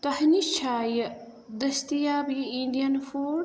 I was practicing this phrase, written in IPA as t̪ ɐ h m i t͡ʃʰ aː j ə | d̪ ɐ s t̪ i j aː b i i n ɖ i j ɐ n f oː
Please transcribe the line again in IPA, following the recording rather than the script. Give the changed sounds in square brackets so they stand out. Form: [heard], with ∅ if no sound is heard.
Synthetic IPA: t̪ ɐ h [n] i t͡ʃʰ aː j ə | d̪ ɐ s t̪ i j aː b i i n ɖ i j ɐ n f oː